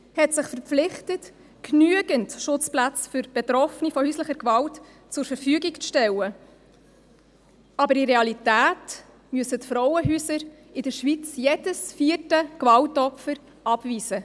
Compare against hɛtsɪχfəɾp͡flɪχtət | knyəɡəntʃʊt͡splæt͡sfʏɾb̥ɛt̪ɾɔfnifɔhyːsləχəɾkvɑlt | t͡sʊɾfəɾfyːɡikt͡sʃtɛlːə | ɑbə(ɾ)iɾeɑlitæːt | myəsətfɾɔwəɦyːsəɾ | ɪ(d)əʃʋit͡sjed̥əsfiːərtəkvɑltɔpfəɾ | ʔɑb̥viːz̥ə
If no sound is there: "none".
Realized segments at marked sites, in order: ɾ, d

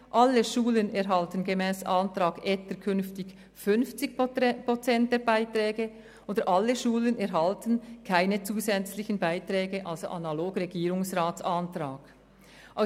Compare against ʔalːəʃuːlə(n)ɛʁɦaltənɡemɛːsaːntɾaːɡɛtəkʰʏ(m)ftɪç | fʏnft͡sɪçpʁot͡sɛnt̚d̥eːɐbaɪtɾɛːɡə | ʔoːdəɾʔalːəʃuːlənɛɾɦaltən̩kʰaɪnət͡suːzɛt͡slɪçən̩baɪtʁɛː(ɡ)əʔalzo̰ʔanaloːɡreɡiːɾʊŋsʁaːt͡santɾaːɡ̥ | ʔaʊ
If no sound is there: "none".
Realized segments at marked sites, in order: n, n, ɡ

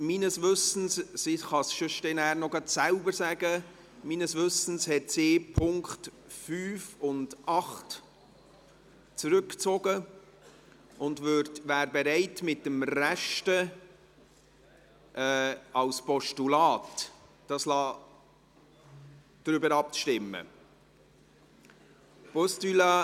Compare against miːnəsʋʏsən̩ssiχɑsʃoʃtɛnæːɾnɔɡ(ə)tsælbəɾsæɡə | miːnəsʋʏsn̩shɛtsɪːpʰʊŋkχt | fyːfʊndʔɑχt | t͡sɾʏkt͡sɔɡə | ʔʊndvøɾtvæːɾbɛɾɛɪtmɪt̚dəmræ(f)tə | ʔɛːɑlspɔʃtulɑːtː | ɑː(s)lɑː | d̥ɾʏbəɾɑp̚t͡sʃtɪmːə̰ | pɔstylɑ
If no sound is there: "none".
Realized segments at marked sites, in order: ɑ, ʃ, s

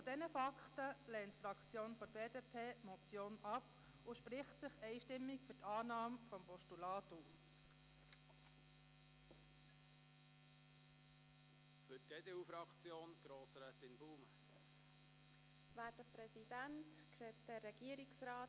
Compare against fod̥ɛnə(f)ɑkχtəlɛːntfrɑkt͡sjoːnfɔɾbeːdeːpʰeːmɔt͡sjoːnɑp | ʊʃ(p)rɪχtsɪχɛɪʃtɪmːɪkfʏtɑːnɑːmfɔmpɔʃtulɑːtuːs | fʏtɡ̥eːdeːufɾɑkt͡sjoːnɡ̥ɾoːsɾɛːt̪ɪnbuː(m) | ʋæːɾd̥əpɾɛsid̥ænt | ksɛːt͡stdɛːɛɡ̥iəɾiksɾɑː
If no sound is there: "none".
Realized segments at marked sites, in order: f, p, m

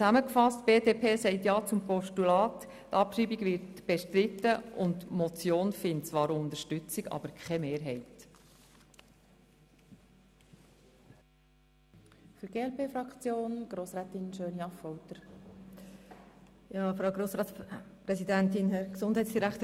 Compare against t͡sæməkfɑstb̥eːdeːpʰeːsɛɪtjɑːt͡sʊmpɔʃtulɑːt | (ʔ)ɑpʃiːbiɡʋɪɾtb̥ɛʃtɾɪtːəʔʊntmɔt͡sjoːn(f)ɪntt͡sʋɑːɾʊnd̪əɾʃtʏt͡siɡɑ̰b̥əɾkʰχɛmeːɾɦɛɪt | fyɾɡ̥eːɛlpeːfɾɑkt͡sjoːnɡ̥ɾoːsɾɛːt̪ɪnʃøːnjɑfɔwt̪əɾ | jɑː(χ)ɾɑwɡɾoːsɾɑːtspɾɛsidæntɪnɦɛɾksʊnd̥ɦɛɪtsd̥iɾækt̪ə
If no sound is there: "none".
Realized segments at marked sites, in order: t, f, f

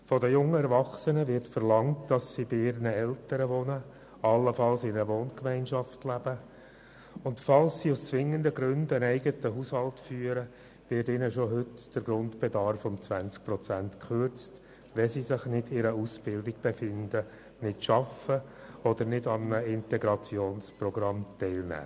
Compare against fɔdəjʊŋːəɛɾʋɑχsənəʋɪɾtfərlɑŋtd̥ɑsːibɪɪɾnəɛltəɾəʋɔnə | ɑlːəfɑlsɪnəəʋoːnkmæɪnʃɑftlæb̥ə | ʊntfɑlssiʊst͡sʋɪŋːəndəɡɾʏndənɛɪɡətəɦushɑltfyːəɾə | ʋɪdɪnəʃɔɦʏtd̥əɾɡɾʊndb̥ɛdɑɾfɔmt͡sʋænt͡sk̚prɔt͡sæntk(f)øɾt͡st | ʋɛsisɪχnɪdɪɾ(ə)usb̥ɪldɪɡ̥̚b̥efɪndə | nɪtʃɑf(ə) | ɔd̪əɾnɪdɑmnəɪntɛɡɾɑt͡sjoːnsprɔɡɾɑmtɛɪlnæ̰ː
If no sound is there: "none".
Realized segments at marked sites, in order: χ, ə, ə

